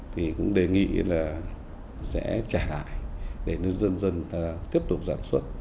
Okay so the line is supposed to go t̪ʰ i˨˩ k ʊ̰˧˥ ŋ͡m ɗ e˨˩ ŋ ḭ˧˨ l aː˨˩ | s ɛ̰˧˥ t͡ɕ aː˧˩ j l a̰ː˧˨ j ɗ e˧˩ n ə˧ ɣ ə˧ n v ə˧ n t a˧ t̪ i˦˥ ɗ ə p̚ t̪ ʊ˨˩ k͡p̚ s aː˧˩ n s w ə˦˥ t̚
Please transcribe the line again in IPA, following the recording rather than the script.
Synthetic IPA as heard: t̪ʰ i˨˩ k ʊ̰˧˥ ŋ͡m ɗ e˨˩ ŋ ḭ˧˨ l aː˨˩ | s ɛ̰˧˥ t͡ɕ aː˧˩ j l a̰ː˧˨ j ɗ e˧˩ n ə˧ z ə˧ n z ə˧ n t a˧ t̪ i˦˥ ə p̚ t̪ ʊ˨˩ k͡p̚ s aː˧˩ n s w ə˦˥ t̚